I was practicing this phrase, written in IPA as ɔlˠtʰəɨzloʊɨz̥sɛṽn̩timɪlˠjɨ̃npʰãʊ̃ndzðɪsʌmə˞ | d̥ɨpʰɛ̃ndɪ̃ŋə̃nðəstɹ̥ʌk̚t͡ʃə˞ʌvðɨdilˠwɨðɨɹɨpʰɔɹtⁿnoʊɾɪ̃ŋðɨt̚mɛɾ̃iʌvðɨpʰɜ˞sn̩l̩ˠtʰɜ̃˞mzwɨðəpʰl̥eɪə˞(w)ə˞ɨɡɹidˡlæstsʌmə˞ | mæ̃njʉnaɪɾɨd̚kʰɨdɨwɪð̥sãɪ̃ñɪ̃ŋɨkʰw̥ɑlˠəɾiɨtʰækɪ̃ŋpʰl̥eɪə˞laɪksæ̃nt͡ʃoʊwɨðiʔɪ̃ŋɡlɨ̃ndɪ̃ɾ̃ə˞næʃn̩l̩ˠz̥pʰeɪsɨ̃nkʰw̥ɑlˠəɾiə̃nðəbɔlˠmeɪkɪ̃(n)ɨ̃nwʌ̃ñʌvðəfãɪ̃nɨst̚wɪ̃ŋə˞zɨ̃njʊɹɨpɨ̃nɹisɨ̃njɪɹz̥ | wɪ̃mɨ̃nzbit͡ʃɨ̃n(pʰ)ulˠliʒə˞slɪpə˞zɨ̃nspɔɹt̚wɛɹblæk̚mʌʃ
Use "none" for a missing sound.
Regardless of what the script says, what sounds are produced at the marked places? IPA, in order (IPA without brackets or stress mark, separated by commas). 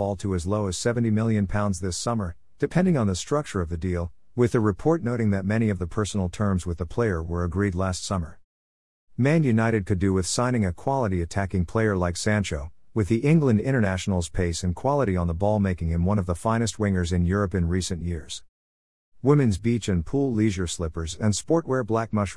w, ŋ, pʰ